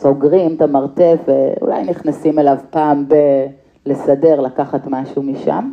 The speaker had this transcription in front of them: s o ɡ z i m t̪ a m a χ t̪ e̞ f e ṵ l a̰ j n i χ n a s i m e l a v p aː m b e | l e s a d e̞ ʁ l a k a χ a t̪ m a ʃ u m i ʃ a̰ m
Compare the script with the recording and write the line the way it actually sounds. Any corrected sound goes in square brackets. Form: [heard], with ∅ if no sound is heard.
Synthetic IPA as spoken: s o ɡ [ʁ] i m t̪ a m a [ʁ] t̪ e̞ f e ṵ l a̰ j n i χ n a s i m e l a v p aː m b e | l e s a d e̞ ʁ l a k a χ a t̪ m a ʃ u m i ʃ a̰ m